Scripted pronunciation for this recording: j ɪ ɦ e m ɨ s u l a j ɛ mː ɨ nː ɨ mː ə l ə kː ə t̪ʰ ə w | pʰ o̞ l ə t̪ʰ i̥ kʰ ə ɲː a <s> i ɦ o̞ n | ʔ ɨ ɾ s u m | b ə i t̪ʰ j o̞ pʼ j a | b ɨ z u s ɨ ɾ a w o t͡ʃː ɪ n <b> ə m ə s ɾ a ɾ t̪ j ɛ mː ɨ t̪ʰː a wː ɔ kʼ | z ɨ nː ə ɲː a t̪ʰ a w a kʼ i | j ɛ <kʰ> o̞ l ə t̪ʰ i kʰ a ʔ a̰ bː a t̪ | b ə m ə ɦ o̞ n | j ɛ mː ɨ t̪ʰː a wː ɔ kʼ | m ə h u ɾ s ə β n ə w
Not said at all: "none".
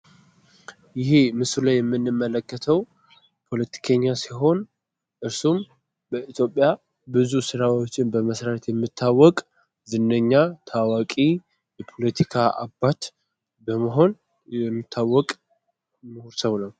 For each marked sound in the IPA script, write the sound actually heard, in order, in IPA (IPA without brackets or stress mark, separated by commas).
s, b, pʰ